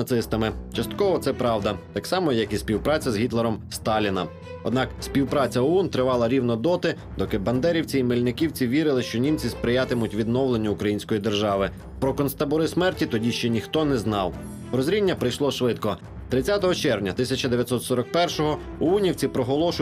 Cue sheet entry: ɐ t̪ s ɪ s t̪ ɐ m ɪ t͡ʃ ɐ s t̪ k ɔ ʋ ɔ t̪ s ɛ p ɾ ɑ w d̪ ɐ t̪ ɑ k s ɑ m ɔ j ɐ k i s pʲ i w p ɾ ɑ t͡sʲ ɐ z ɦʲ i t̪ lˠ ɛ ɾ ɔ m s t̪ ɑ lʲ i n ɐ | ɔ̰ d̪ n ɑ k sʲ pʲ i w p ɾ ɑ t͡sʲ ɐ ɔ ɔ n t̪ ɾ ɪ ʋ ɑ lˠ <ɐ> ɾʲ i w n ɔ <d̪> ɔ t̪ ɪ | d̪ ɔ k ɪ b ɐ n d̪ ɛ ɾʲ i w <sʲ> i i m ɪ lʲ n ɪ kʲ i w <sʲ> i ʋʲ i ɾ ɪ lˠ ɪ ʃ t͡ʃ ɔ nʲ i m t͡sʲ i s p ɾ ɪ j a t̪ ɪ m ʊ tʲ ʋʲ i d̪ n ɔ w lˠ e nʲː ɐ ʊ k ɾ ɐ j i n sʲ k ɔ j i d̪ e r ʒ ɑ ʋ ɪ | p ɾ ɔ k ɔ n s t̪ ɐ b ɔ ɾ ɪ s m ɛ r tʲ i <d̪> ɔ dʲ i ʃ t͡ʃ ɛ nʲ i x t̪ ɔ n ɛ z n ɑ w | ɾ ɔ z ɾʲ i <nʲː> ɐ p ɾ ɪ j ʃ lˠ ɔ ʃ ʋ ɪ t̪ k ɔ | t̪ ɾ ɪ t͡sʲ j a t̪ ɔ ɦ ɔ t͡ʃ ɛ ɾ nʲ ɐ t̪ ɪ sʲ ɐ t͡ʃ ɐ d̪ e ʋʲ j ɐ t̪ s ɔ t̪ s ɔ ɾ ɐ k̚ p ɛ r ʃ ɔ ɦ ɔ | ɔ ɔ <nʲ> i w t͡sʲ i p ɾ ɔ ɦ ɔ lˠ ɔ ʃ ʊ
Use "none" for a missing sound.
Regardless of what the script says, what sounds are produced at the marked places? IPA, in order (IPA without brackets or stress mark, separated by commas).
ɐ, d̪, t͡sʲ, t͡sʲ, t̪, nʲː, nʲ